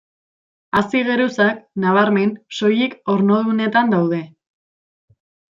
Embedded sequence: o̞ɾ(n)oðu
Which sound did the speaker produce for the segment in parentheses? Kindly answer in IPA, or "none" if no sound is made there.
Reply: n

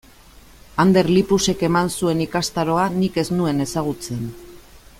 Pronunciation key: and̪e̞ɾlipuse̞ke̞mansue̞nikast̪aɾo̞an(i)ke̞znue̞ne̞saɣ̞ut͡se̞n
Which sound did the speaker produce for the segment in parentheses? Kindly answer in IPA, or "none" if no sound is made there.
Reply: i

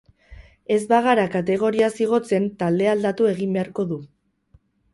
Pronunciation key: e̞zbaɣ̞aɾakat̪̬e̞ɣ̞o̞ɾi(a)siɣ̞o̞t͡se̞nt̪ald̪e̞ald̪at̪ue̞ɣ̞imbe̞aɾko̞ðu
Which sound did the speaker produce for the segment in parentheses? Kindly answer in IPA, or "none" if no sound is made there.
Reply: a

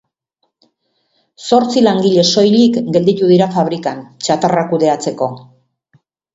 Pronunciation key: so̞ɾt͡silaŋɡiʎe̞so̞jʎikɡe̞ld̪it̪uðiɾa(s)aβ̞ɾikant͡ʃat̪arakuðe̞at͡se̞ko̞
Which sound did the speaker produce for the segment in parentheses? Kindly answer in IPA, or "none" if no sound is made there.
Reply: f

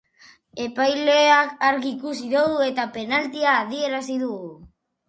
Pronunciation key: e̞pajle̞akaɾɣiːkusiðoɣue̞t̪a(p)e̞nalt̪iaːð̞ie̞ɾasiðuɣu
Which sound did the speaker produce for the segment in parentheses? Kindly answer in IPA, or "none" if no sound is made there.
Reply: p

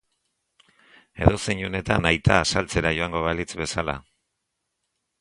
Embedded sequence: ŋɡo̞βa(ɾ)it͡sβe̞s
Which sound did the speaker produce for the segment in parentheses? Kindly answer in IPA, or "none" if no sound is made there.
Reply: l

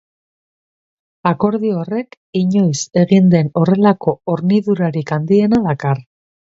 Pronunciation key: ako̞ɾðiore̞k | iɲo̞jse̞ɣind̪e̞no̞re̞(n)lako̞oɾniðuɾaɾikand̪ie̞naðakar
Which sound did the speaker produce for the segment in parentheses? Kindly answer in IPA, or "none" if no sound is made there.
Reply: none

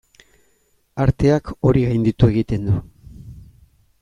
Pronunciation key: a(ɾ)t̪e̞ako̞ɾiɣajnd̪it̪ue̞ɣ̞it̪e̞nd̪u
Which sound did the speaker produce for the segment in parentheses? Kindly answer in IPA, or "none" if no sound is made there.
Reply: ɾ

